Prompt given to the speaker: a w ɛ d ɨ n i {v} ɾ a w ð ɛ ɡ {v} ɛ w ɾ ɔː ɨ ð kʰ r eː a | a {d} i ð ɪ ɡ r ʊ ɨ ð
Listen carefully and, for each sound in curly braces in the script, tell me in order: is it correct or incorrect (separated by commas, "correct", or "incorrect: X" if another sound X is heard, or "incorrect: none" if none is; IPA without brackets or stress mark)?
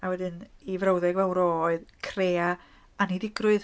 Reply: correct, correct, incorrect: n